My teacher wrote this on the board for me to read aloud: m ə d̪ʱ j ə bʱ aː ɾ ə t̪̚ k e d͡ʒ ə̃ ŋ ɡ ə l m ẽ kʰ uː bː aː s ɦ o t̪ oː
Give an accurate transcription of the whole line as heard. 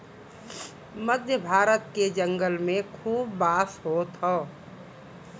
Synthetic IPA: m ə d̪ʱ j ə bʱ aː ɾ ə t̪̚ k e d͡ʒ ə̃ ŋ ɡ ə l m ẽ kʰ uː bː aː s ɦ o t̪ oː